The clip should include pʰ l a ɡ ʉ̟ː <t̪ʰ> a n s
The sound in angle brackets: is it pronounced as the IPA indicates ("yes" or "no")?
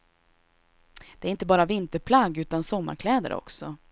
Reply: no